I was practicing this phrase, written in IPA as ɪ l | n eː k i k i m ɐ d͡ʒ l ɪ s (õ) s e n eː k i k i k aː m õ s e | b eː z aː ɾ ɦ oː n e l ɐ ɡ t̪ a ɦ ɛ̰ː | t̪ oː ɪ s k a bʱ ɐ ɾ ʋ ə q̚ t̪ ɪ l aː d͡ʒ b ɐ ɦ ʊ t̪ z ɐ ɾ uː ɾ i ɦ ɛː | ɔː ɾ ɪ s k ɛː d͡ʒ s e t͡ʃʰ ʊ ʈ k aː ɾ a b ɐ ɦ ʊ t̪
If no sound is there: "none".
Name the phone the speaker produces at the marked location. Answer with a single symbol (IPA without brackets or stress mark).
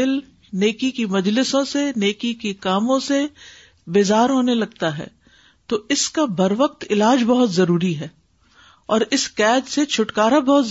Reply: õ